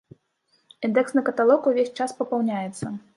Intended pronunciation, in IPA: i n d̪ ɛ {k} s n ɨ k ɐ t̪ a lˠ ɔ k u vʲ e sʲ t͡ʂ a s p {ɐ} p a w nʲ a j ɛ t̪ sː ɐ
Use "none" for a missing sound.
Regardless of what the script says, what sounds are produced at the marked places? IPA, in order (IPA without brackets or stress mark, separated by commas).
k, ɐ